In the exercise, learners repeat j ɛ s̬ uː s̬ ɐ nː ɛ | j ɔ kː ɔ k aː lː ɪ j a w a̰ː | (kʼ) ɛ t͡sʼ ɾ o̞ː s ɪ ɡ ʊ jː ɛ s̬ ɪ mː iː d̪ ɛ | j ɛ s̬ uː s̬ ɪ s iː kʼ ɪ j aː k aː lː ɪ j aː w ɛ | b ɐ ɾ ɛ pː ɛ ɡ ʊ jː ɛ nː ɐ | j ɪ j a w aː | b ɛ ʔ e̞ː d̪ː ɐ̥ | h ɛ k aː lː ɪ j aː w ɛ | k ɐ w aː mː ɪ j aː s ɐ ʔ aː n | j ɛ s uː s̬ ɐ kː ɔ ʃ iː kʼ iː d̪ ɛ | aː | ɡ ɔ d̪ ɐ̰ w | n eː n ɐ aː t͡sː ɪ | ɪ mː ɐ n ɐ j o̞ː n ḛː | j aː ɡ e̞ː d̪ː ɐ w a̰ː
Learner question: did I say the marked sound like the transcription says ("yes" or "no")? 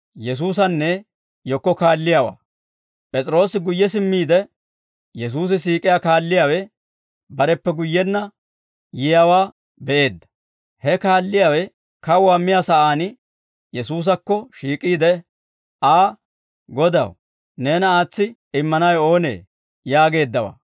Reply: no